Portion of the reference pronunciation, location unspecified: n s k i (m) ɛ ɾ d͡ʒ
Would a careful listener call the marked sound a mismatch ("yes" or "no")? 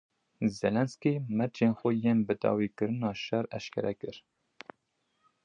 no